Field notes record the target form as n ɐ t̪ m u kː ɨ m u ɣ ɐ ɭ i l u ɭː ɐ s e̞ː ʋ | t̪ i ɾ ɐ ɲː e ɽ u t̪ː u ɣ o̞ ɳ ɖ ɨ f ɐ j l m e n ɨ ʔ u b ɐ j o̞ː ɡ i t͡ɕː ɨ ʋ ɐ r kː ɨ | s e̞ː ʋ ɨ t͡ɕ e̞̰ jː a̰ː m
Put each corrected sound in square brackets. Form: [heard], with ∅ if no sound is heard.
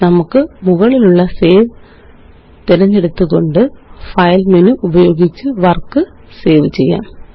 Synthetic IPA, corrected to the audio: n ɐ [∅] m u kː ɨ m u ɣ ɐ ɭ i l u ɭː ɐ s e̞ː ʋ | t̪ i ɾ ɐ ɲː e ɽ u t̪ː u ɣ o̞ ɳ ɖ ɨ f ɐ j l m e n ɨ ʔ u b ɐ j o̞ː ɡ i t͡ɕː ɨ ʋ ɐ r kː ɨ | s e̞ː ʋ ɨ t͡ɕ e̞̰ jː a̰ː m